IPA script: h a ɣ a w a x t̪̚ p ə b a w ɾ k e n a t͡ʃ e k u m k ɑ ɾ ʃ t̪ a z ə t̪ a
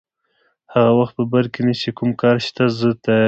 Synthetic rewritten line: h a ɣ a w a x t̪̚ p ə b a ɾ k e n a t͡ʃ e k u m k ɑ ɾ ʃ t̪ a z ə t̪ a